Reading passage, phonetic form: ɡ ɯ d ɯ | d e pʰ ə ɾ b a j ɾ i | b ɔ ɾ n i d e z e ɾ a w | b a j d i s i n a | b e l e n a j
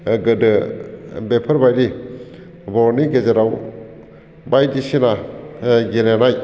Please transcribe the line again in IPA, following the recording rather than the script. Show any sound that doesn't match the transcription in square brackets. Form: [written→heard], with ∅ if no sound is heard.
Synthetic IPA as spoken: ɡ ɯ d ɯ | [d→b] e pʰ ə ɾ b a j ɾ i | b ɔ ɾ n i [d→ɡ] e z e ɾ a w | b a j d i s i n a | [b→ɡ] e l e n a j

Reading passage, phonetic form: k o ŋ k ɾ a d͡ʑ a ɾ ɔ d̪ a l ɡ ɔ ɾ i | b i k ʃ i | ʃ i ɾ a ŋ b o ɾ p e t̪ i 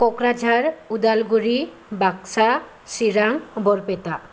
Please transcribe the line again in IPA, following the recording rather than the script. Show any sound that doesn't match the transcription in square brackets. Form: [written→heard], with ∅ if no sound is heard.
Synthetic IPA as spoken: k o [ŋ→∅] k ɾ a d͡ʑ a ɾ [ɔ→u] d̪ a l ɡ [ɔ→u] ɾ i | b [i→a] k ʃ [i→a] | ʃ i ɾ a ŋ b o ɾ p e t̪ [i→a]

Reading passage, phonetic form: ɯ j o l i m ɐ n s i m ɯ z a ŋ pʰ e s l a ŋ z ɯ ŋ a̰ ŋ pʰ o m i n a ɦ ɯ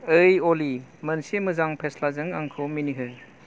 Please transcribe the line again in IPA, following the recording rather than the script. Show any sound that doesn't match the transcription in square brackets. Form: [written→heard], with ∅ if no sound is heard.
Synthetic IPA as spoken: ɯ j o l i m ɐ n s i m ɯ z a ŋ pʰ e s l a [ŋ→∅] z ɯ ŋ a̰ ŋ [pʰ→kʰ] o m i n [a→i] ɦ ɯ

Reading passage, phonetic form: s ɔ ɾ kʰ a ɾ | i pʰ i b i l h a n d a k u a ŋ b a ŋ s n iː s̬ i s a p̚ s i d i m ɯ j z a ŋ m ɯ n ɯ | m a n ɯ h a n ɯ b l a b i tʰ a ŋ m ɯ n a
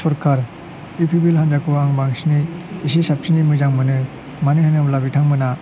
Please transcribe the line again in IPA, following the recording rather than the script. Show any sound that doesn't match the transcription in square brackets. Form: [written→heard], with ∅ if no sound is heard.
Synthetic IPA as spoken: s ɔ ɾ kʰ a ɾ | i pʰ i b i l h a n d a k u a ŋ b a ŋ s n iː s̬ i s a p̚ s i [d→n] i m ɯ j z a ŋ m ɯ n ɯ | m a n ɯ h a n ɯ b l a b i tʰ a ŋ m ɯ n a

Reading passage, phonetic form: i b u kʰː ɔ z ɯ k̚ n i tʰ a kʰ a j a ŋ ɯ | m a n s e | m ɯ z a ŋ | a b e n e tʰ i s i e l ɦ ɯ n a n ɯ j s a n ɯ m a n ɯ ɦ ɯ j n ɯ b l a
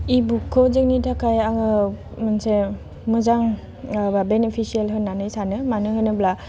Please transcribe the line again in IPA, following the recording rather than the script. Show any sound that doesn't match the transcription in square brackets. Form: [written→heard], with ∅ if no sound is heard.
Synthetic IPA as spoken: i b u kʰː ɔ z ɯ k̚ n i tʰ a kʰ a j a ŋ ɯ | m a n s e | m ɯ z a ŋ | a b e n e [tʰ→pʰ] i s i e l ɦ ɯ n a n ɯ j s a n ɯ m a n ɯ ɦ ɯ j n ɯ b l a

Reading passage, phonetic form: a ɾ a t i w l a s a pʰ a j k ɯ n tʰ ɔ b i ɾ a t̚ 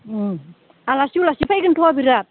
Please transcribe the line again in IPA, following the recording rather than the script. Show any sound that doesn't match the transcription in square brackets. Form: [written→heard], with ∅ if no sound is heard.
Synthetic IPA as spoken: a [ɾ→l] a [t→s] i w l a s [a→i] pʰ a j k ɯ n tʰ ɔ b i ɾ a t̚

